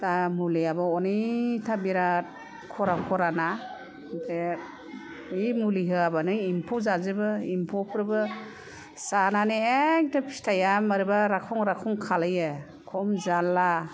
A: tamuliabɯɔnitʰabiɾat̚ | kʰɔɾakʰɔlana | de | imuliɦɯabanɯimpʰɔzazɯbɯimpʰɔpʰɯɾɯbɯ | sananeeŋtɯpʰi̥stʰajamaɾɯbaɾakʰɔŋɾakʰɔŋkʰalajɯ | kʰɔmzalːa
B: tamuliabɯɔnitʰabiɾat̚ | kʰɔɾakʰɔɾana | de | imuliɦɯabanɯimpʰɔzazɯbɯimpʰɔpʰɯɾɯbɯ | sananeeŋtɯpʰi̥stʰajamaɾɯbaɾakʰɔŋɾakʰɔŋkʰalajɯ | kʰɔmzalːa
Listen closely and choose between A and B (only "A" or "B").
B